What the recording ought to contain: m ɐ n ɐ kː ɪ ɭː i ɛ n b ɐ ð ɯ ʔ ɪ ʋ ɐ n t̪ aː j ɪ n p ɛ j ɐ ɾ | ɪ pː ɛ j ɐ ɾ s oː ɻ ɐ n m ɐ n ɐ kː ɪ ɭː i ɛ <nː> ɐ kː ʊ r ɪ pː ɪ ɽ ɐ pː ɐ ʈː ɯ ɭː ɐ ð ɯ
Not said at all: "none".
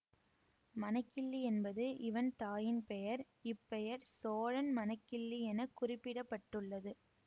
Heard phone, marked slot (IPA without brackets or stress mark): n